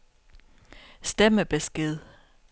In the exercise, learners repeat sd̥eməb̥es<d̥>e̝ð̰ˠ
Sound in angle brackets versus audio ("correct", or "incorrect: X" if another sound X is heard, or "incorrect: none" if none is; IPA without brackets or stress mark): incorrect: ɡ̥